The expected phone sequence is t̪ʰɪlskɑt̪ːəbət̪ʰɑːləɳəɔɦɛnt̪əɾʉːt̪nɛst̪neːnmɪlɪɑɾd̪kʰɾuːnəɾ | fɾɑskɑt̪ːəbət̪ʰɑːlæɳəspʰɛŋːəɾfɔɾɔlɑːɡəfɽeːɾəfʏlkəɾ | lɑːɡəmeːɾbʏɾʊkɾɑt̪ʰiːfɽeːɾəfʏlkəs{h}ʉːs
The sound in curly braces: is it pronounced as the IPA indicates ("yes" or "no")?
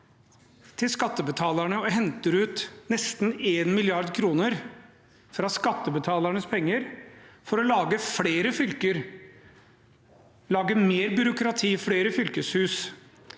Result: yes